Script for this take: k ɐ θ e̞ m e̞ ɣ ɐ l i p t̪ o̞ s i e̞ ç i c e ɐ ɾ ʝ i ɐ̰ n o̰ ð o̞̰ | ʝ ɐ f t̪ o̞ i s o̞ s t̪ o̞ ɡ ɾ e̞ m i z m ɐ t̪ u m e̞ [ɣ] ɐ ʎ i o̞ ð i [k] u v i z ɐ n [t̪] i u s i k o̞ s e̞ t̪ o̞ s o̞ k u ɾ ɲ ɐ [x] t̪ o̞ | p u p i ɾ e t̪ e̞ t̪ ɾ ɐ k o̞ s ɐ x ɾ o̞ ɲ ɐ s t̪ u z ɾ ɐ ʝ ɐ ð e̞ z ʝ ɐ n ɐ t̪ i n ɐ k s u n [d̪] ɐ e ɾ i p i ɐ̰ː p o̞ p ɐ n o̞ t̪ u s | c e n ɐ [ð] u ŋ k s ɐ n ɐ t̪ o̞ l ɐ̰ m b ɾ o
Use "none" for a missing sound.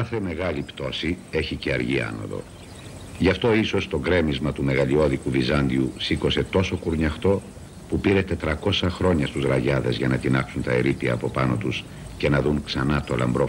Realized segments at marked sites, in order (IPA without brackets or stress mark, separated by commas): ɣ, k, d̪, x, t̪, ð